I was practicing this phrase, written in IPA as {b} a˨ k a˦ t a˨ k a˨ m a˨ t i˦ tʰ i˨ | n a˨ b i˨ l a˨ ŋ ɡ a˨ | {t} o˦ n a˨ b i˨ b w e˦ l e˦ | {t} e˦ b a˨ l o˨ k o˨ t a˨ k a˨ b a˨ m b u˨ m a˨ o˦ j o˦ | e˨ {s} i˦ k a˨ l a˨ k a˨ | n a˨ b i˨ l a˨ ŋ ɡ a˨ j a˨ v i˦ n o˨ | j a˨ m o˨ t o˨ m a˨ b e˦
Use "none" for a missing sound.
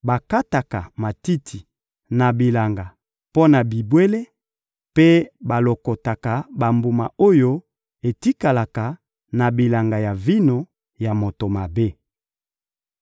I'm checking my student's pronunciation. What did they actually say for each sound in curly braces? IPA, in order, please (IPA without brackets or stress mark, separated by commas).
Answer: b, p, p, t